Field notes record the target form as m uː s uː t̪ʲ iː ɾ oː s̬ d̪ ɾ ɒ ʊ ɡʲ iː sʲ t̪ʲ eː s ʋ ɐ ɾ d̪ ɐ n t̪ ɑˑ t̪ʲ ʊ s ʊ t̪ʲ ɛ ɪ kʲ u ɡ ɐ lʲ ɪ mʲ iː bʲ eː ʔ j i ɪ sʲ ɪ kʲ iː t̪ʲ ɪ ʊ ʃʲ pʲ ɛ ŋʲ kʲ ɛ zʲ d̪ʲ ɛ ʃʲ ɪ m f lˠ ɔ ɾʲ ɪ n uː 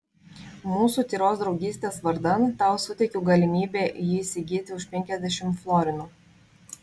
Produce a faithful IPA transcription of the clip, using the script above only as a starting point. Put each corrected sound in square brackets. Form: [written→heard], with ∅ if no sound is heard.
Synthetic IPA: m uː s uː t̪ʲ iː ɾ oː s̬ d̪ ɾ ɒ ʊ ɡʲ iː sʲ t̪ʲ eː s ʋ ɐ ɾ d̪ ɐ n t̪ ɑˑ [t̪ʲ→∅] ʊ s ʊ t̪ʲ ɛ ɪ kʲ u ɡ ɐ lʲ ɪ mʲ iː bʲ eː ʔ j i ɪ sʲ ɪ [kʲ→ɡʲ] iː t̪ʲ ɪ ʊ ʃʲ pʲ ɛ ŋʲ kʲ ɛ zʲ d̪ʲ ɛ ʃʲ ɪ m f lˠ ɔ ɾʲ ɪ n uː